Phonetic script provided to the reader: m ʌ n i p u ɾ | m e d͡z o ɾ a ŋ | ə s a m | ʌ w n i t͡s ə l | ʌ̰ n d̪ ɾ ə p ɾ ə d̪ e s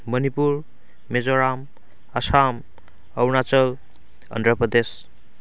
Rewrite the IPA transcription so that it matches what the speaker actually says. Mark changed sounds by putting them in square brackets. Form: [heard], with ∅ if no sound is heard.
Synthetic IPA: m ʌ n i p u ɾ | m e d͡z o ɾ a [m] | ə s a m | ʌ w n [a] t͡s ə l | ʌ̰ n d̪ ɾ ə p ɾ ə d̪ e s